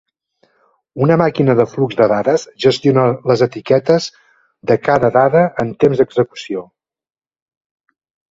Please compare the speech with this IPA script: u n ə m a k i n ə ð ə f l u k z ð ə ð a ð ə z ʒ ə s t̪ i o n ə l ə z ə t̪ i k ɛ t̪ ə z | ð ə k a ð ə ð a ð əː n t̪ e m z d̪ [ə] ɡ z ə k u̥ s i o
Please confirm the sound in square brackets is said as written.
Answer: yes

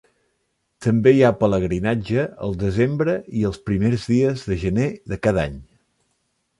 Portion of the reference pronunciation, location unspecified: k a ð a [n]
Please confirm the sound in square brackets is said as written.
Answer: no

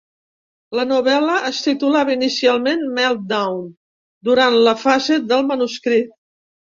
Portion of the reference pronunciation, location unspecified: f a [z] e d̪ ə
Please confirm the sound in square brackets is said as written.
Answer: yes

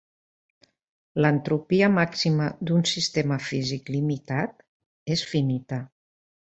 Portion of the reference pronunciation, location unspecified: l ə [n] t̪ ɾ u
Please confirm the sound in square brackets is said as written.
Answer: yes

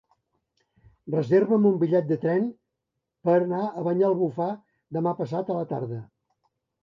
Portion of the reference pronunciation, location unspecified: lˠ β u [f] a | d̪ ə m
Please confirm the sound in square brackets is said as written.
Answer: yes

